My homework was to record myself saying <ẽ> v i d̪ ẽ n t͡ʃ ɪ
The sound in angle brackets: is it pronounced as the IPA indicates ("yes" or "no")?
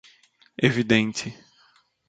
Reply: no